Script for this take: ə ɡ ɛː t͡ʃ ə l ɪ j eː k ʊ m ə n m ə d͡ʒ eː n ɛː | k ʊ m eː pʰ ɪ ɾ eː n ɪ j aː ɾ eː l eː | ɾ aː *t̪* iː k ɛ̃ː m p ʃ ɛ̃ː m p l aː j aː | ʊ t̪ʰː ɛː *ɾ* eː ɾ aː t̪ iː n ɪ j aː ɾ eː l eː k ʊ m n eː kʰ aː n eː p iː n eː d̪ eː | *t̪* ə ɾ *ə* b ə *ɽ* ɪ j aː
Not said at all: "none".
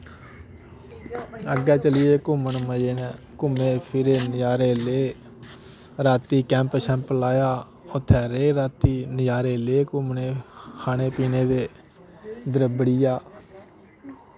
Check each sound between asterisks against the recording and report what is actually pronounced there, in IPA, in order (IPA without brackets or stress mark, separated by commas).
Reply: t̪, ɾ, d̪, ə, ɽ